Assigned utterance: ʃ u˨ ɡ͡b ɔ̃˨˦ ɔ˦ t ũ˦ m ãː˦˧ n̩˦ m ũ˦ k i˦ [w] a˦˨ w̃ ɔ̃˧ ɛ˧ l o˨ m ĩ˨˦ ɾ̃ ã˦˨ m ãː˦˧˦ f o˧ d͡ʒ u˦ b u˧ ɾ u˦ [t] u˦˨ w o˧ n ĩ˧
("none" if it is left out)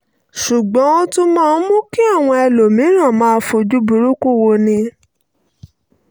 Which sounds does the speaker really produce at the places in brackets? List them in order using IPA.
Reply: none, k

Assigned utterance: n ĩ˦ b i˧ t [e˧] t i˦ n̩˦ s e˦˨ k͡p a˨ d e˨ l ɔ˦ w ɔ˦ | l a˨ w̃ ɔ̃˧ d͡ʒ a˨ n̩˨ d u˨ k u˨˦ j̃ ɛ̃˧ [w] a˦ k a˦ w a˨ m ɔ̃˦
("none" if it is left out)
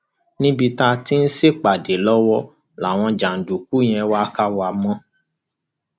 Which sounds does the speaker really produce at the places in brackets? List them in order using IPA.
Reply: a˧, w

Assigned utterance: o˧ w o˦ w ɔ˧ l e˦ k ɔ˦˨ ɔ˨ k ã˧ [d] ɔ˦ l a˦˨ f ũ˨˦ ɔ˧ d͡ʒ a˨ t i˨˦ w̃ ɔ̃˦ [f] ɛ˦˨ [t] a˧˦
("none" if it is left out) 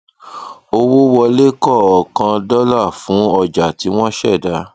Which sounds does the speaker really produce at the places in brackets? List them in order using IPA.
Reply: d, ʃ, d

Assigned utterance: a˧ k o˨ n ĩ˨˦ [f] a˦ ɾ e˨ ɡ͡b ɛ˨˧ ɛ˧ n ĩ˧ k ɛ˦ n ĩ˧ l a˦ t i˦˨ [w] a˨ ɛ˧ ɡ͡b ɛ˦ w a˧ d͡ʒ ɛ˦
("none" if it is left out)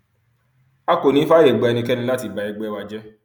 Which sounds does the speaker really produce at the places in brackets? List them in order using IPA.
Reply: f, b

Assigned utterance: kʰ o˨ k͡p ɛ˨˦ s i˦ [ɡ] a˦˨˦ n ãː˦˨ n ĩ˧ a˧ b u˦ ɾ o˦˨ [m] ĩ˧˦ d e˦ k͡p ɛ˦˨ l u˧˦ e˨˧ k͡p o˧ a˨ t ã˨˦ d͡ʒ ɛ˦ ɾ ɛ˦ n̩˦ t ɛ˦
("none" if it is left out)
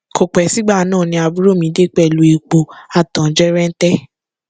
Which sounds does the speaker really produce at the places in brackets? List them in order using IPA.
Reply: ɡ͡b, m

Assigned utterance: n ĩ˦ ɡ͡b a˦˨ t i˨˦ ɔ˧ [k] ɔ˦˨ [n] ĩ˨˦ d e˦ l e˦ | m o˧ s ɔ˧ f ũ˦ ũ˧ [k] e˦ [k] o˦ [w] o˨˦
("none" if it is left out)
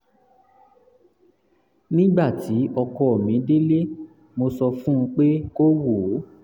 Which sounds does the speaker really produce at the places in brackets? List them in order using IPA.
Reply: k, m, k͡p, k, w

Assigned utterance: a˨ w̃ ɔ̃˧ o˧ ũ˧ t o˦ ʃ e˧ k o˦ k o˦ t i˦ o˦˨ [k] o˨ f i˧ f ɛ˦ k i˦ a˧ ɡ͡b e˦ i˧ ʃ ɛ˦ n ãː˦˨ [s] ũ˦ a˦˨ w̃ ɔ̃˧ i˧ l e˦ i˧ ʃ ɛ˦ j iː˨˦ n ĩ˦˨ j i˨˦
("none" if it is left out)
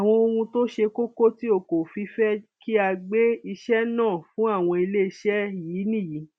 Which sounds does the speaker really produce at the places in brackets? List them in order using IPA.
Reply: k, f

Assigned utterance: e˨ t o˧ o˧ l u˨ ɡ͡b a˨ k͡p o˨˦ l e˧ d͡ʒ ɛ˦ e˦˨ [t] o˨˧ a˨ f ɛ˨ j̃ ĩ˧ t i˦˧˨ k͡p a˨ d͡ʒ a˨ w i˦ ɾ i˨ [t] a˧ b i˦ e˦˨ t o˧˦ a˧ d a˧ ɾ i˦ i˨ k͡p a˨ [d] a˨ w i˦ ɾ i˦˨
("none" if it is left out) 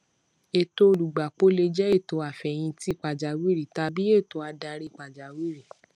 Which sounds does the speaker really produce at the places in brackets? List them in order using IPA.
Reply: t, t, d͡ʒ

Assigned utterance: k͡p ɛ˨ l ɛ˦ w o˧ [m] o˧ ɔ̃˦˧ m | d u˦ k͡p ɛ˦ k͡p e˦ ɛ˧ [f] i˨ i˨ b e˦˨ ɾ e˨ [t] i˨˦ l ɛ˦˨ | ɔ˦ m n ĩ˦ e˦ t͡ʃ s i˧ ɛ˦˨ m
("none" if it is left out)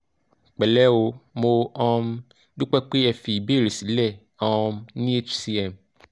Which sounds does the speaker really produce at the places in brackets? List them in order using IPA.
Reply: m, f, s

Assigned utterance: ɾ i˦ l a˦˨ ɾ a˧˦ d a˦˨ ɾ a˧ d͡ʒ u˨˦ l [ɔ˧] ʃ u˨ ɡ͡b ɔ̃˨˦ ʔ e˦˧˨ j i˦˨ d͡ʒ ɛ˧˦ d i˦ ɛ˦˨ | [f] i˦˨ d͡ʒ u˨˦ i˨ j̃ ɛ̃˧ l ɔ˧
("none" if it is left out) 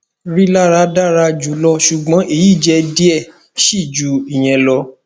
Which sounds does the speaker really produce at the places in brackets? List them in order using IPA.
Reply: ɔ˧, ʃ

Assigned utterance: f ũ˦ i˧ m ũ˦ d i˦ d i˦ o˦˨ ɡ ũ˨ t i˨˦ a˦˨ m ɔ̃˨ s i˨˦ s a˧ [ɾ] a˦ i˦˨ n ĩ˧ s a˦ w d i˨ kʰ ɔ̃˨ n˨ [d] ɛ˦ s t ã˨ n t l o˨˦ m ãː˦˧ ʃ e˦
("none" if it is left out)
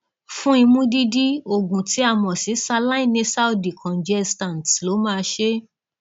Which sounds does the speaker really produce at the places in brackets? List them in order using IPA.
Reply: l, d͡ʒ

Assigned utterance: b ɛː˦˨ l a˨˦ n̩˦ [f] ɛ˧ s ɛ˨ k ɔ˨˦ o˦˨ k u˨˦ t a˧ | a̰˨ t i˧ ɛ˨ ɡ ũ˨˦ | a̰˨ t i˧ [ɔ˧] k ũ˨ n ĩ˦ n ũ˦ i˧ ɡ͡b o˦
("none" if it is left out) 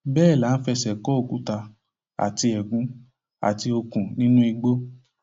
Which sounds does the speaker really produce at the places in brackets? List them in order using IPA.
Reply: f, o˧

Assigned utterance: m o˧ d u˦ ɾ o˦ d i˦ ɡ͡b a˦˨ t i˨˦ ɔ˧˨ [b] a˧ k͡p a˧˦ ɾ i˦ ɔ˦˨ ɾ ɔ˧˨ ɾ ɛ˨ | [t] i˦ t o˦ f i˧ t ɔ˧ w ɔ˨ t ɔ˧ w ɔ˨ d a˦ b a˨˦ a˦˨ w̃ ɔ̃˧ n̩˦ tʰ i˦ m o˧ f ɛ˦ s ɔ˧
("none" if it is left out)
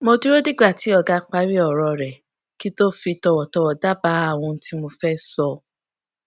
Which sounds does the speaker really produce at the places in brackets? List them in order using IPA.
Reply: ɡ, k

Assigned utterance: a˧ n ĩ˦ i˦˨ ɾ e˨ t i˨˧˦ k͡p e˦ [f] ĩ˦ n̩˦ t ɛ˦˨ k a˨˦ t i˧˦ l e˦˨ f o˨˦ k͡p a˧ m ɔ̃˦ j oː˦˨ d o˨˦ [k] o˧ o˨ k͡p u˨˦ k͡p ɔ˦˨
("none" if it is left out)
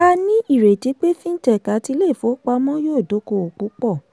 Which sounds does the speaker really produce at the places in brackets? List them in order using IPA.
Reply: f, k

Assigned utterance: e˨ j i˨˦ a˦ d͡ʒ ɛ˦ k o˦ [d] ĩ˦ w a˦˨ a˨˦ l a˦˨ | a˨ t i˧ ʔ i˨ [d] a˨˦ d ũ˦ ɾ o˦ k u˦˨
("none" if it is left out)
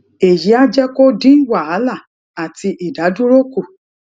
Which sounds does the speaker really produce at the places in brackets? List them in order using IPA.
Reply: d, d

